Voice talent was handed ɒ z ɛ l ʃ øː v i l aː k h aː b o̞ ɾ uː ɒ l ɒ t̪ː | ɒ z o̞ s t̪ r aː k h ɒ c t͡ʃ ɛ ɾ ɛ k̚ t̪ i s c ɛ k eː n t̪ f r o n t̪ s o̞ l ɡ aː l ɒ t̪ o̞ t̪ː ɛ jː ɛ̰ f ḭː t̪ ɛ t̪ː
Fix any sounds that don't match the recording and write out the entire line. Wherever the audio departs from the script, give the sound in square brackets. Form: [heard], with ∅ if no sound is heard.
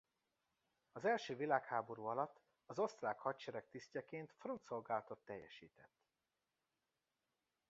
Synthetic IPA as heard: ɒ z ɛ l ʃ øː v i l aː k h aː b o̞ ɾ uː ɒ l ɒ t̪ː | ɒ z o̞ s t̪ r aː k h ɒ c t͡ʃ ɛ ɾ ɛ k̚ t̪ i s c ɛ k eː n t̪ f r o n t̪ s o̞ l ɡ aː l ɒ t̪ o̞ t̪ː ɛ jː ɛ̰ [ʃ] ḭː t̪ ɛ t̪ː